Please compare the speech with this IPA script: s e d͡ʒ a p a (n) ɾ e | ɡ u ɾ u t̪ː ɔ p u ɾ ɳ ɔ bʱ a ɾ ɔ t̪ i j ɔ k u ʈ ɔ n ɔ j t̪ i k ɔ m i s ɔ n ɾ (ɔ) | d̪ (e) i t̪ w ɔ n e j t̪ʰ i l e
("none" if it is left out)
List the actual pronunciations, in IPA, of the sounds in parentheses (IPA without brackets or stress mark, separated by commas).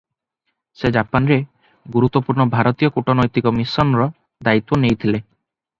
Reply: n, ɔ, a